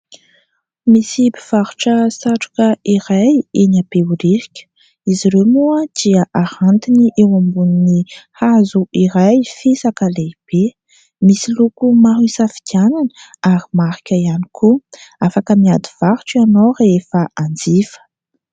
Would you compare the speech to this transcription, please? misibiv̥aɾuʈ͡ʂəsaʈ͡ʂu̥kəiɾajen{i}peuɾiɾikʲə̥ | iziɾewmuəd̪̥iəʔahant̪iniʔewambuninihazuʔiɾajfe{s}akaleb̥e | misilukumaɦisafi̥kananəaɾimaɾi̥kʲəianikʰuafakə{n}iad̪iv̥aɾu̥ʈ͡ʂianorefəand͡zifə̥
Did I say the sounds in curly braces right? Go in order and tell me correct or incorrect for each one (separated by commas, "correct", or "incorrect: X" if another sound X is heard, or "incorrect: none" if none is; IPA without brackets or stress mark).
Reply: incorrect: a, correct, incorrect: m